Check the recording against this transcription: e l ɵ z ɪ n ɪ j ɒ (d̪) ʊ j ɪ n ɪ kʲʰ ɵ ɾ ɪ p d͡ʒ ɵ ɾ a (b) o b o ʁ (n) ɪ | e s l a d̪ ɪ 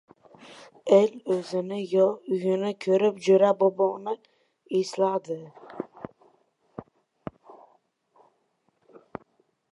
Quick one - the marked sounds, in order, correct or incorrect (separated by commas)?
incorrect, correct, correct